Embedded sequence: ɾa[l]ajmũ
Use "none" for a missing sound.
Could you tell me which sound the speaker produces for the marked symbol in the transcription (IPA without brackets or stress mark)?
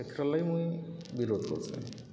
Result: l